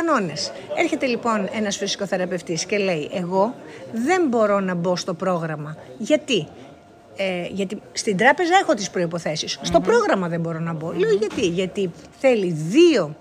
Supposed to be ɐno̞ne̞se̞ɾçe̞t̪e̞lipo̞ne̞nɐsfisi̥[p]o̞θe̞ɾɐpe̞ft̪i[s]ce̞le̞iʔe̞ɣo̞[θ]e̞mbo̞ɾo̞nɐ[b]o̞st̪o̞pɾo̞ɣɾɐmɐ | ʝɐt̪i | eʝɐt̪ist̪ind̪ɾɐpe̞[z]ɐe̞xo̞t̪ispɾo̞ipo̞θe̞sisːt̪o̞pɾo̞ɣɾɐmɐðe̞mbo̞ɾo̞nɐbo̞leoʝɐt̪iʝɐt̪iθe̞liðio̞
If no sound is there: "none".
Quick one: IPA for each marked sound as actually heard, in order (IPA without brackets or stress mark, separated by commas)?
k, s, ð, b, z